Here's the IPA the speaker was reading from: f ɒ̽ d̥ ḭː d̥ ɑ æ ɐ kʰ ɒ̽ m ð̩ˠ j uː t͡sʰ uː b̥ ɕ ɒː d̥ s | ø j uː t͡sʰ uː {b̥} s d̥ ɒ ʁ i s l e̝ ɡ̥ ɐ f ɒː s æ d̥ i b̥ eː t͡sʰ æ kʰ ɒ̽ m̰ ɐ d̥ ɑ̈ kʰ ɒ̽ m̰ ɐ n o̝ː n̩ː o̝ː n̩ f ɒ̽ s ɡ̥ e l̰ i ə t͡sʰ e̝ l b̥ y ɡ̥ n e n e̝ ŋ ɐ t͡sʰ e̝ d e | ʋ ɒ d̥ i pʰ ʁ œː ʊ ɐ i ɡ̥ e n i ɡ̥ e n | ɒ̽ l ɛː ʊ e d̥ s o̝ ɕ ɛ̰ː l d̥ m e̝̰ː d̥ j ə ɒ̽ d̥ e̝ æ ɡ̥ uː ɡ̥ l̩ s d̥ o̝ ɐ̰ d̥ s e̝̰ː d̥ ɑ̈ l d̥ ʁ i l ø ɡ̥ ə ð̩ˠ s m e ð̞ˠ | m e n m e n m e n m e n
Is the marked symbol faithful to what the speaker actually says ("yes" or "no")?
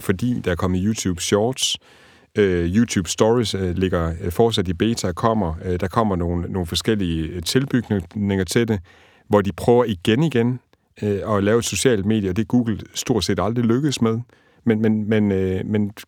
yes